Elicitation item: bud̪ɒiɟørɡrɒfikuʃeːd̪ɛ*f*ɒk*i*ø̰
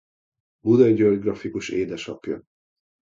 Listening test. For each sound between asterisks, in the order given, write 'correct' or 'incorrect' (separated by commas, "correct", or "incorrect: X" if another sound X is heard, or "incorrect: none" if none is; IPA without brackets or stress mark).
incorrect: ʃ, incorrect: j